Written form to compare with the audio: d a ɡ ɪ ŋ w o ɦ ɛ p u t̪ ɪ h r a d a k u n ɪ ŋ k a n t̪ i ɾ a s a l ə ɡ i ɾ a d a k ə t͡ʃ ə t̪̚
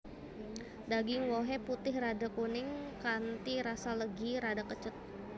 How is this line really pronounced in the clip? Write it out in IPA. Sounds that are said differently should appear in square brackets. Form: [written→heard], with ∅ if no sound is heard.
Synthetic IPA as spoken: d a ɡ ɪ ŋ w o ɦ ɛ p u t̪ ɪ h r a d a k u n ɪ ŋ k a n t̪ i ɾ a s a l ə ɡ i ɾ a d a k ə t͡ʃ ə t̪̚